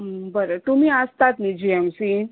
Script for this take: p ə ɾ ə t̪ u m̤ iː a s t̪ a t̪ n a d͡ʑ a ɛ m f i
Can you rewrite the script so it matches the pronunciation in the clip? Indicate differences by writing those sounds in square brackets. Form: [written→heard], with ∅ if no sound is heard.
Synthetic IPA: [p→b] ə ɾ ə t̪ u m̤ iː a s t̪ a t̪ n [a→i] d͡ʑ [a→i] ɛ m [f→s] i